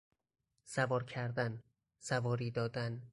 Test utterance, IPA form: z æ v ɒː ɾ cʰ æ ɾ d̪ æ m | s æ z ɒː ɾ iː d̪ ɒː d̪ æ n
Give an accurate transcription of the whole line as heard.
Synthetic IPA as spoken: s æ v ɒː ɾ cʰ æ ɾ d̪ æ n | s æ v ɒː ɾ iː d̪ ɒː d̪ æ n